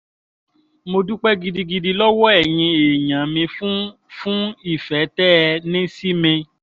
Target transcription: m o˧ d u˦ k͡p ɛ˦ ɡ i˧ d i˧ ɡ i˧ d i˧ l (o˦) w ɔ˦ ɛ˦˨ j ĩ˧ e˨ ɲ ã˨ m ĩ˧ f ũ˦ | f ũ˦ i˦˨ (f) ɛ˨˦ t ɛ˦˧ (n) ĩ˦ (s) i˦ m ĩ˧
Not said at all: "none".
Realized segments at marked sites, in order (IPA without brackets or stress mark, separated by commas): ɔ˦, f, n, s